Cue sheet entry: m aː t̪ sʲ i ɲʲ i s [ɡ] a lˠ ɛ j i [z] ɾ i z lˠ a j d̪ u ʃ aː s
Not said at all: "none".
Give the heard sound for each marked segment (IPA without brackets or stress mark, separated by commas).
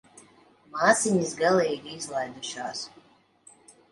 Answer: ɡ, none